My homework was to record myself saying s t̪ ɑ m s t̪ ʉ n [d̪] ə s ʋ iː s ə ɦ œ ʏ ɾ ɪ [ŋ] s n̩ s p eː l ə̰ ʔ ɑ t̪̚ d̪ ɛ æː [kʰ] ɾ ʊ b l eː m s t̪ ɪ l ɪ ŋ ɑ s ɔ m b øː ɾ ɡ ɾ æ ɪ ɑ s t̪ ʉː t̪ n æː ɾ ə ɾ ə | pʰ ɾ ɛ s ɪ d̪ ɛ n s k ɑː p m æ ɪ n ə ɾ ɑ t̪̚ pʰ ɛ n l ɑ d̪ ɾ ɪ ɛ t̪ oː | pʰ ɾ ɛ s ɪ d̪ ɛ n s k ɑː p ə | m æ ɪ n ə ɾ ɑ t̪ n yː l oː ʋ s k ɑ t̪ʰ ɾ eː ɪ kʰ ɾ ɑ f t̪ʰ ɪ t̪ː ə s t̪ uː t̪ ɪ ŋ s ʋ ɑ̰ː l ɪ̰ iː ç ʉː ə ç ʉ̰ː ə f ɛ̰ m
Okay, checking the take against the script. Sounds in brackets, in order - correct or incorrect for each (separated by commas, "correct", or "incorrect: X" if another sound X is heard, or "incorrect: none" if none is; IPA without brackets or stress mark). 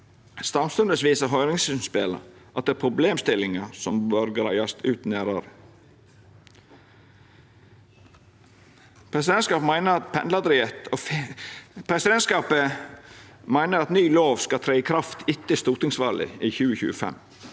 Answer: correct, correct, incorrect: pʰ